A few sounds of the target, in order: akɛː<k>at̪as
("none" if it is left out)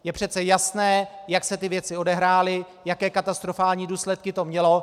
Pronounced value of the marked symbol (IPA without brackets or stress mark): k